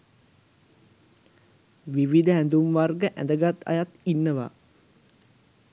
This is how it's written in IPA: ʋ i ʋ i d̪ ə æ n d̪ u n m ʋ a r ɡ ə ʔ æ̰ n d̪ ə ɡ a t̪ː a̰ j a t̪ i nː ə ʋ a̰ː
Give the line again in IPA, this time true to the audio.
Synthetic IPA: ʋ i ʋ i d̪ ə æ n d̪ u m ʋ a r ɡ ə ʔ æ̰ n d̪ ə ɡ a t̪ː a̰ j a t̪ i nː ə ʋ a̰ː